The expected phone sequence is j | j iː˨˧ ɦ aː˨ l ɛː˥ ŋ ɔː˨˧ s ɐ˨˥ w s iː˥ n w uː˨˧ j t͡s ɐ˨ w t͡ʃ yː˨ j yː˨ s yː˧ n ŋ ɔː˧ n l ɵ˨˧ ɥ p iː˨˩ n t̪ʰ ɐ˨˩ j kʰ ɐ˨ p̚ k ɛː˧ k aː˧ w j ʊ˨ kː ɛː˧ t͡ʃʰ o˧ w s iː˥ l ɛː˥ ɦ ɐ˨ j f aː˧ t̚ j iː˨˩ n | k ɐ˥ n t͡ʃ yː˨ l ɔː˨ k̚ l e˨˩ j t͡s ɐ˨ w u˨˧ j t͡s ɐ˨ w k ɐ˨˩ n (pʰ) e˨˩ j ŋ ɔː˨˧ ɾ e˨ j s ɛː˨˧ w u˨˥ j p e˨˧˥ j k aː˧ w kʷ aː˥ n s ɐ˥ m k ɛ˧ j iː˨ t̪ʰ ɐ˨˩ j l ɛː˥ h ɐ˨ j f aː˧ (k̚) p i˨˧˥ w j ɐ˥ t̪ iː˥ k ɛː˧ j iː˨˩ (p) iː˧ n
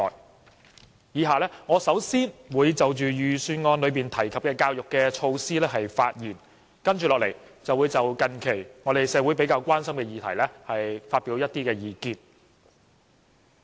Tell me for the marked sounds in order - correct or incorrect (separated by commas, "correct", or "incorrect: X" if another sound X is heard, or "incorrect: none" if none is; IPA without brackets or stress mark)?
incorrect: kʰ, incorrect: t̚, incorrect: k